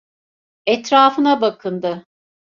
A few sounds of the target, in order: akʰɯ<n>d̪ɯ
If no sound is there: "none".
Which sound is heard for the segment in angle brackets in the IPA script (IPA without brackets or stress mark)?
n